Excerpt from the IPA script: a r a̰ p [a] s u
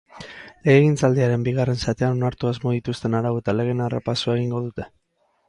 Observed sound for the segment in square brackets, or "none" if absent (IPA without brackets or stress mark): a